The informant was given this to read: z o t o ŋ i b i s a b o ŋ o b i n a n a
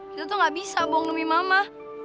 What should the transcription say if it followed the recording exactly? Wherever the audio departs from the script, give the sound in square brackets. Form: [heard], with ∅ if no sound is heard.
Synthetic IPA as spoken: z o t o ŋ [a] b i s a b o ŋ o [m] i [m] a [m] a